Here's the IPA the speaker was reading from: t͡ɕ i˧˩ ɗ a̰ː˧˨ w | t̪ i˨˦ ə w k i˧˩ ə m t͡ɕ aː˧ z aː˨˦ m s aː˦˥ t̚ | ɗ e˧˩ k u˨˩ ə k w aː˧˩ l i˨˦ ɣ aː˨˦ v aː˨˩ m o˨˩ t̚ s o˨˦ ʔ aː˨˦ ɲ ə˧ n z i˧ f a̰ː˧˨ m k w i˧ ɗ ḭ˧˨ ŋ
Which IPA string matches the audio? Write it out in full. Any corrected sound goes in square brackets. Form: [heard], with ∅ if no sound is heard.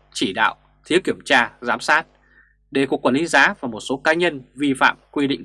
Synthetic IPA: t͡ɕ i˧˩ ɗ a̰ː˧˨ w | [t̪ʰ] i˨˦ ə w k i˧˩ ə m t͡ɕ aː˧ z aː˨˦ m s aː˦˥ t̚ | ɗ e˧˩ k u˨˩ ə k w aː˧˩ l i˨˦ [z] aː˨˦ v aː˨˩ m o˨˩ t̚ s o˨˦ [k] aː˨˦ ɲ ə˧ n [v] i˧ f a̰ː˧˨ m k w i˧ ɗ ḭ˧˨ ŋ